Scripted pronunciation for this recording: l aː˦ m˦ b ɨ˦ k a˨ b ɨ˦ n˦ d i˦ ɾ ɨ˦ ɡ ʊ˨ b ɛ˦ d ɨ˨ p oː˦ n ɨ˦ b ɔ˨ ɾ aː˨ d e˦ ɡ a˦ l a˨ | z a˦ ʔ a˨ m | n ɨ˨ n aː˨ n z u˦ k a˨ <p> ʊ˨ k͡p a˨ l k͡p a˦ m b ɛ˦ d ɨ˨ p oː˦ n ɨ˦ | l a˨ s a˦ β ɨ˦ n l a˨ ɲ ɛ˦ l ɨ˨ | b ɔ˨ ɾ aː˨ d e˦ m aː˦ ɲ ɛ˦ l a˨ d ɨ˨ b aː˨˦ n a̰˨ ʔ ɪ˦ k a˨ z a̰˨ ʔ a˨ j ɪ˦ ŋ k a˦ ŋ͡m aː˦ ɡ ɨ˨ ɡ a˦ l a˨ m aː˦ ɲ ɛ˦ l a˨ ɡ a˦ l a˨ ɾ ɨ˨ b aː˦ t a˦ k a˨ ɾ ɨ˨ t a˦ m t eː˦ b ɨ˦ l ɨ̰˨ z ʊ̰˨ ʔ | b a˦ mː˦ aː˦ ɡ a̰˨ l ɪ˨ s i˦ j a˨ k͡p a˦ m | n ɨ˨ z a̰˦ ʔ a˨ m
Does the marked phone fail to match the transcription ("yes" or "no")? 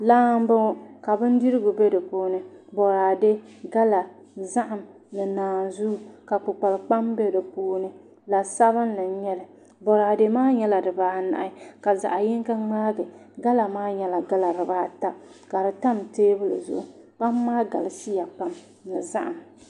yes